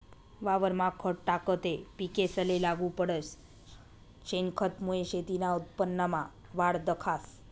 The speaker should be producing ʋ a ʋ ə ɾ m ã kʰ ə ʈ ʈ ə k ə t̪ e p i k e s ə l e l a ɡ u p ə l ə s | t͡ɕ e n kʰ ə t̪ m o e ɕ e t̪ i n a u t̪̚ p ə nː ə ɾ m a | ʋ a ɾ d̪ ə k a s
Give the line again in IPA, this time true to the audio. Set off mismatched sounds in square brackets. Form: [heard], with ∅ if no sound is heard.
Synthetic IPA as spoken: ʋ a ʋ ə ɾ m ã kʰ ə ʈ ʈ [a] k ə t̪ e p i k e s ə l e l a ɡ u p ə [ɽ] ə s | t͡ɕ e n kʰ ə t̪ m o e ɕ e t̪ i n a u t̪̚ p ə nː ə [∅] m a | ʋ a [ɽ] d̪ ə [kʰ] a s

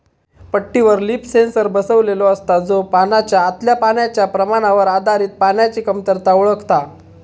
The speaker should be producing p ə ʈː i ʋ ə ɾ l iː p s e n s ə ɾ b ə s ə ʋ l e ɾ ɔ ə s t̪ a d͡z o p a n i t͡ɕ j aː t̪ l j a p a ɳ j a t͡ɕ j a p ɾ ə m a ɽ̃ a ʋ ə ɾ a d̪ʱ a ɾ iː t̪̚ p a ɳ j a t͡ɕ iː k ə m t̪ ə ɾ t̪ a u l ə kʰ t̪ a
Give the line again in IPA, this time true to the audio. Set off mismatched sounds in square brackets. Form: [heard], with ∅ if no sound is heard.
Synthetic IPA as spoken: p ə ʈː i ʋ ə ɾ l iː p s e n s ə ɾ b ə s ə ʋ l e [l] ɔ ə s t̪ a d͡z o p a n [a] t͡ɕ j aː t̪ l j a p a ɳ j a t͡ɕ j a p ɾ ə m a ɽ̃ a ʋ ə ɾ a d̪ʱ a ɾ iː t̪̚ p a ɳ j a t͡ɕ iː k ə m t̪ ə ɾ t̪ a u [ɭ] ə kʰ t̪ a

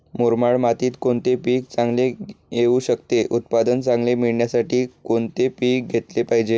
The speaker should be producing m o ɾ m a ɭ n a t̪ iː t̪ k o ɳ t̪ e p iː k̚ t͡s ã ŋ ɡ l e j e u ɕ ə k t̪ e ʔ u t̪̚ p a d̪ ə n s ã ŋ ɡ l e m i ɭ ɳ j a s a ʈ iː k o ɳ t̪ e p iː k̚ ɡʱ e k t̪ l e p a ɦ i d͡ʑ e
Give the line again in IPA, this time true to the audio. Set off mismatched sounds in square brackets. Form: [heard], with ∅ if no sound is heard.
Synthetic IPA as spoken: m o ɾ m a ɭ [m] a t̪ iː t̪ k o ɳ t̪ e p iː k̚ t͡s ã ŋ ɡ l e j e u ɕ ə k t̪ e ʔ u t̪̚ p a d̪ ə n [t͡s] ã ŋ ɡ l e m i ɭ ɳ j a s a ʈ iː k o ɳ t̪ e p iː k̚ ɡʱ e [∅] t̪ l e p a ɦ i d͡ʑ e

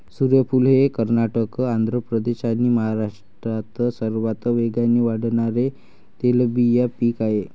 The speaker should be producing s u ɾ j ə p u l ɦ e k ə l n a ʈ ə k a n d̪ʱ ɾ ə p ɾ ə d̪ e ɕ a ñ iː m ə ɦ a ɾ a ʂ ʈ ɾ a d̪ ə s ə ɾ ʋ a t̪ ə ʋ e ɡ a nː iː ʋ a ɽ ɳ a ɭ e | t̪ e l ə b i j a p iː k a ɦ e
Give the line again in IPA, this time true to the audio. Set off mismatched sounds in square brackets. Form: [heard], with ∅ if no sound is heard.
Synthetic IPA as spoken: s u ɾ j ə p u l ɦ e k ə [ɾ] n a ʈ ə k a n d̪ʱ ɾ ə p ɾ ə d̪ e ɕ a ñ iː m ə ɦ a ɾ a ʂ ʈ ɾ a [t̪] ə s ə ɾ ʋ a t̪ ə ʋ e ɡ a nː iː ʋ a ɽ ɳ a [ɾ] e | t̪ e l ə b i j a p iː k a ɦ e

